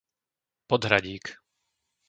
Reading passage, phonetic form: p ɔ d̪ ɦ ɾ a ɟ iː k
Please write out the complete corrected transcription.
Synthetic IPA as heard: p ɔ d̪ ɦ ɾ a ɟ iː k